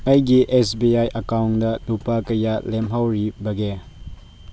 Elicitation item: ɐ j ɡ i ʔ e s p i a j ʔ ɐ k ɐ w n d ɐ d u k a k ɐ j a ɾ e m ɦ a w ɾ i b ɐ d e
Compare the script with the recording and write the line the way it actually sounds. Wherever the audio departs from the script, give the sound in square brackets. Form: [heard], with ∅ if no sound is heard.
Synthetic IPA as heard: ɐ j ɡ i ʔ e s [b] i a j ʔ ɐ k [a] w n d ɐ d u [p] a k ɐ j a [l] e m ɦ a w ɾ i b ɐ [ɡ] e

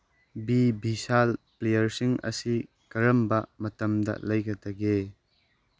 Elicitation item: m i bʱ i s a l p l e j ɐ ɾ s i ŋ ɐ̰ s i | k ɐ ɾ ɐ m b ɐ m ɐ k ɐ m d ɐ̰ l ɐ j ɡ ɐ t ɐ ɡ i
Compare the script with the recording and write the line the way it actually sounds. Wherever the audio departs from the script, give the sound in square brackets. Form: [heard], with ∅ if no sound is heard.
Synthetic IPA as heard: [b] i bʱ i s a l p l e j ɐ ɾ s i ŋ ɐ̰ s i | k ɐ ɾ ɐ m b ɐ m ɐ [t] ɐ m d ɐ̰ l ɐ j ɡ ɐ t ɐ ɡ [e]

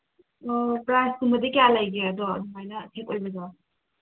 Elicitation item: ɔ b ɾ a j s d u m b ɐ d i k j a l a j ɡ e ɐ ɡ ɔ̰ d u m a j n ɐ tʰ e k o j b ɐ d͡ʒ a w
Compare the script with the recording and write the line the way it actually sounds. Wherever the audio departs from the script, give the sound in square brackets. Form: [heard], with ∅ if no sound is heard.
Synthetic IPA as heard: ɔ [p] ɾ a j s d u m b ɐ d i k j a l a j ɡ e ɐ [d] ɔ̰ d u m a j n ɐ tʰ e k o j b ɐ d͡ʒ a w

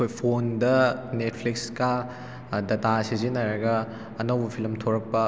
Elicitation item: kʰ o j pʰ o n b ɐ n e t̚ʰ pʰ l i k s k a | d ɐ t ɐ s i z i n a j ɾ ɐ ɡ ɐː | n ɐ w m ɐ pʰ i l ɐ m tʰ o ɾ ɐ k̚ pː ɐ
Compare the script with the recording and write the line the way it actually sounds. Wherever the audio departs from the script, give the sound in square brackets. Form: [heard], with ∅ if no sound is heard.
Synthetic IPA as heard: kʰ o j pʰ o n [d] ɐ n e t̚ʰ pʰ l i k s k a | d ɐ t [a] s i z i n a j ɾ ɐ ɡ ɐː | n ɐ w [b] ɐ pʰ i l ɐ m tʰ o ɾ ɐ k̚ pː ɐ

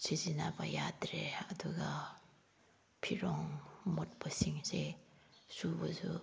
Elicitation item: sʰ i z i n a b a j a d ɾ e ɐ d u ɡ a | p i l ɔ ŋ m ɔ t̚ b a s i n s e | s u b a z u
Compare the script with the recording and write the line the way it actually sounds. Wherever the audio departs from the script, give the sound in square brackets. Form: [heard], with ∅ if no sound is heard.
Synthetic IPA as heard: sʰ i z i n a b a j a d ɾ e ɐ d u ɡ a | [pʰ] i [ɾ] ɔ ŋ m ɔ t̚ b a s i [ŋ] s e | s u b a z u

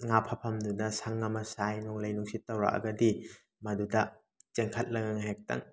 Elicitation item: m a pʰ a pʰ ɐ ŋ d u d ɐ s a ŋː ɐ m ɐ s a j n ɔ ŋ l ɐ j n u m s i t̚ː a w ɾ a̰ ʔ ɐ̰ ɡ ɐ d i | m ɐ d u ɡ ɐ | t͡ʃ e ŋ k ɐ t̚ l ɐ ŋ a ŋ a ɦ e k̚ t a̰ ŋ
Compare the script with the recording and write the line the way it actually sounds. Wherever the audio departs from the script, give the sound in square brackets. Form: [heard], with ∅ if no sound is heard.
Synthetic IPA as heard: [ŋ] a pʰ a pʰ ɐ [m] d u d ɐ s a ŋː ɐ m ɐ s a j n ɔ ŋ l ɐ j n u [ŋ] s i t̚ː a w ɾ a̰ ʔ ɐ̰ ɡ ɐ d i | m ɐ d u [d] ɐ | t͡ʃ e ŋ [kʰ] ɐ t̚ l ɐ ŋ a ŋ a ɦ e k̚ t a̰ ŋ

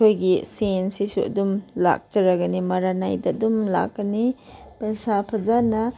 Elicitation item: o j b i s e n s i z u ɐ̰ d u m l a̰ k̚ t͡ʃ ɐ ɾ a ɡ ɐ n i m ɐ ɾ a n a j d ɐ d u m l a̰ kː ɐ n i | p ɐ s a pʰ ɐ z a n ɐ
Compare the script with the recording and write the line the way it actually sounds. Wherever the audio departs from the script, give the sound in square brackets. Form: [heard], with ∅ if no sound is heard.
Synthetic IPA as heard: o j [ɡ] i s e n s i [s] u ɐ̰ d u m l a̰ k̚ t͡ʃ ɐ ɾ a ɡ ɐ n i m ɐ ɾ a n a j d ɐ d u m l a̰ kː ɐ n i | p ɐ s a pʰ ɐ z a n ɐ

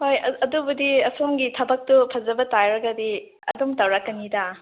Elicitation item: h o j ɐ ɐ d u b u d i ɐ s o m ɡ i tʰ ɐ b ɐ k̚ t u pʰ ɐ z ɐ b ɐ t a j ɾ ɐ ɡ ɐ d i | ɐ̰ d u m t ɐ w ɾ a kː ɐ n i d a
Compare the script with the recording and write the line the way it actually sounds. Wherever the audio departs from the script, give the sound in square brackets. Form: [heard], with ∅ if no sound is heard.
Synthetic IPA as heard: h o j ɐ ɐ d u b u d i ɐ s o m ɡ i tʰ ɐ b ɐ k̚ t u pʰ ɐ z ɐ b ɐ t a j ɾ ɐ ɡ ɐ d i | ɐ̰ d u m t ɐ w ɾ a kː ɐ n i d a

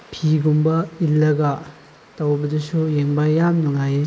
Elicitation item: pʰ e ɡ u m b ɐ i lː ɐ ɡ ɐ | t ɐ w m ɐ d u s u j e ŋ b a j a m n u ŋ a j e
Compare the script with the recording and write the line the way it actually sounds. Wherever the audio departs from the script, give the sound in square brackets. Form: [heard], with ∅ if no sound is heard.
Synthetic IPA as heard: pʰ [i] ɡ u m b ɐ i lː ɐ ɡ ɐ | t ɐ w [b] ɐ d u s u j e ŋ b a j a m n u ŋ a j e

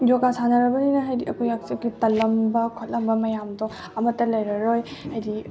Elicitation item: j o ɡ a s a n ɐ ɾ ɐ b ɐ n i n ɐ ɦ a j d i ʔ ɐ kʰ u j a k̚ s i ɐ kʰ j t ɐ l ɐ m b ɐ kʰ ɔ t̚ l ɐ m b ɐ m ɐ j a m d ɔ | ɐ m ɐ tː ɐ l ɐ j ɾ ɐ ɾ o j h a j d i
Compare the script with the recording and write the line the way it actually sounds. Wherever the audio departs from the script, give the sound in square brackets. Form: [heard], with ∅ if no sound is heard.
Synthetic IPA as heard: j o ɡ a s a n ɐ ɾ ɐ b ɐ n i n ɐ ɦ a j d i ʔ ɐ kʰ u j a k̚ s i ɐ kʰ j t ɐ l ɐ m b ɐ kʰ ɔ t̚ l ɐ m b ɐ m ɐ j a m d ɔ | ɐ m ɐ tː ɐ l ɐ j ɾ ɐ ɾ o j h a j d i

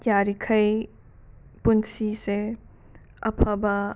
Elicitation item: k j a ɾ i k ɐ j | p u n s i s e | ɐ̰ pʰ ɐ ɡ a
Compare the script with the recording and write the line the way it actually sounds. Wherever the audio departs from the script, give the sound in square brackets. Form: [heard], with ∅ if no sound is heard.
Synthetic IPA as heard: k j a ɾ i [kʰ] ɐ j | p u n s i s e | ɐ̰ pʰ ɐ [b] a

